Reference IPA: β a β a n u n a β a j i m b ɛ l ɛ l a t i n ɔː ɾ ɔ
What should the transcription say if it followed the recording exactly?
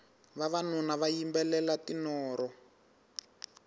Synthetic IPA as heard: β a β a n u n a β a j i m b ɛ l ɛ l a t i n ɔː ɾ ɔ